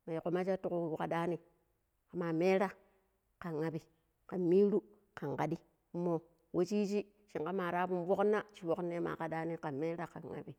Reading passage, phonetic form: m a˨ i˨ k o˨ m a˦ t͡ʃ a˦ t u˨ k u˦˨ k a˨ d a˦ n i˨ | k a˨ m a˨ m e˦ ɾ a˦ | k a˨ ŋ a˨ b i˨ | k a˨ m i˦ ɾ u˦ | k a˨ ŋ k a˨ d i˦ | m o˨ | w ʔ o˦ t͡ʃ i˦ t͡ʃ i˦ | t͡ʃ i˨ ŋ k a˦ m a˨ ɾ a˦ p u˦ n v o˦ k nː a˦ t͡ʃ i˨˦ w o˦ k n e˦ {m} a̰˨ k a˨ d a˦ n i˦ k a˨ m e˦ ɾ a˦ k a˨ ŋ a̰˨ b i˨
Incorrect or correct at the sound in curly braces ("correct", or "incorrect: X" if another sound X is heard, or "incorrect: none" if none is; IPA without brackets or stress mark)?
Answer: correct